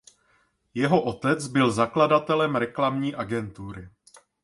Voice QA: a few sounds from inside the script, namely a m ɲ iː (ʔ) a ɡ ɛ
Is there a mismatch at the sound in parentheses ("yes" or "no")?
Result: no